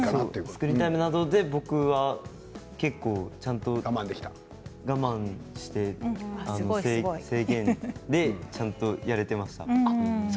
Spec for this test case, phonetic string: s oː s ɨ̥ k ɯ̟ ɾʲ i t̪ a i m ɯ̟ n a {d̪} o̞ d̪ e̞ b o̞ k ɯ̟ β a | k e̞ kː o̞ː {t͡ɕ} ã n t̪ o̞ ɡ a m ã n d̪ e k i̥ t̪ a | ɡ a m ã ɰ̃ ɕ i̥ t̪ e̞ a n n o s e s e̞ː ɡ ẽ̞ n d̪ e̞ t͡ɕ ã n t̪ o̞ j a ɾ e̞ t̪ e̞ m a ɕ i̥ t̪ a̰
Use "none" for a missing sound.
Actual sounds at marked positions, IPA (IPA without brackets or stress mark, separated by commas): d̪, t͡ɕ